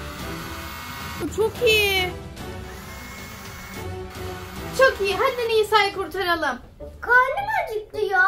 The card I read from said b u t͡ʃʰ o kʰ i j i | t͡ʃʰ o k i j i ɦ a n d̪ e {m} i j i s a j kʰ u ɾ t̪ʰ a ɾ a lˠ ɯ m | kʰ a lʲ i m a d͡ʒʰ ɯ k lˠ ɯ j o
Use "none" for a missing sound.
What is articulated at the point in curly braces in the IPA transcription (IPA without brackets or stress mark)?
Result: n